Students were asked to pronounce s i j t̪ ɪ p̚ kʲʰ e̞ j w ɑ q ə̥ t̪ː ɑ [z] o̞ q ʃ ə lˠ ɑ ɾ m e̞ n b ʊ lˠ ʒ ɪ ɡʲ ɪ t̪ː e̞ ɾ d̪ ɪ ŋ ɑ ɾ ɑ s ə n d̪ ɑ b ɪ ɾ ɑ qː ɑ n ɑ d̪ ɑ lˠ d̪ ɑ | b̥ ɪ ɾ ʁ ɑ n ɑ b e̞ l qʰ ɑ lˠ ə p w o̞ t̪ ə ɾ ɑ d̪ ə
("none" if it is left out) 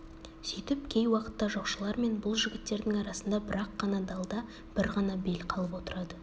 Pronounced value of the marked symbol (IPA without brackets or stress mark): ʒ